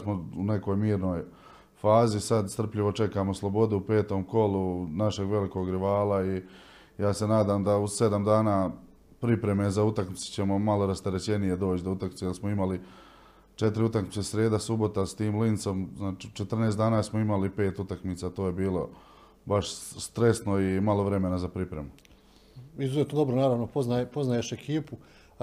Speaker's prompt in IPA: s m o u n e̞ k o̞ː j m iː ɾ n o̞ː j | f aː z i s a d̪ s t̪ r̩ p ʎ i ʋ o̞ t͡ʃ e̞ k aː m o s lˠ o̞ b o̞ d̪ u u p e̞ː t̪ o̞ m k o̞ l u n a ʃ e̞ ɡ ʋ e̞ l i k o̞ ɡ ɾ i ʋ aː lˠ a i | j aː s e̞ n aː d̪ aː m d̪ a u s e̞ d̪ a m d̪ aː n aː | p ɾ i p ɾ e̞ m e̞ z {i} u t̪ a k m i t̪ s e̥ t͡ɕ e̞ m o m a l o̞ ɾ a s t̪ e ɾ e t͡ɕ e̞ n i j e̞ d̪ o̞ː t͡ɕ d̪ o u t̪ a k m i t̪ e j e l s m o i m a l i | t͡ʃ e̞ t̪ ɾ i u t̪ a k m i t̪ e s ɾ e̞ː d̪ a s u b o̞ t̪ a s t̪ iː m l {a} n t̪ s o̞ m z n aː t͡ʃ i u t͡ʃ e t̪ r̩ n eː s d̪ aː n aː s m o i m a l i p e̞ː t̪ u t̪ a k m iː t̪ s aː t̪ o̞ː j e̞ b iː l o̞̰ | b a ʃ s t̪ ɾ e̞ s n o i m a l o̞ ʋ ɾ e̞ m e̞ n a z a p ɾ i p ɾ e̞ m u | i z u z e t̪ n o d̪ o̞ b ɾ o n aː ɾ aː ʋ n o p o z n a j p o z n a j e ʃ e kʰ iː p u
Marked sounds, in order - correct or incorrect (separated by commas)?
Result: incorrect, incorrect